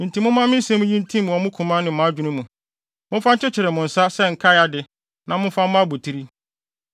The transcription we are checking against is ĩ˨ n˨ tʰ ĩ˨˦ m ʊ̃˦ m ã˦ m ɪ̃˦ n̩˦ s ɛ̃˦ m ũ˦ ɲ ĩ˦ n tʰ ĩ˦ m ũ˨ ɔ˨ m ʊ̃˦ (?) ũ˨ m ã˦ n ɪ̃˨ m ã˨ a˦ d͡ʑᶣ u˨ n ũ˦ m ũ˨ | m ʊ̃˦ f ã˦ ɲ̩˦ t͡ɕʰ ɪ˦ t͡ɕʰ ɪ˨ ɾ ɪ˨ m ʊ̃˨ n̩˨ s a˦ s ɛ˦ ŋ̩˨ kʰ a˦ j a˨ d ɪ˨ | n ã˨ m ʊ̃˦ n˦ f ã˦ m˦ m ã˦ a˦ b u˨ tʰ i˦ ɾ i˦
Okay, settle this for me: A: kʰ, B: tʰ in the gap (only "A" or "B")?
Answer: A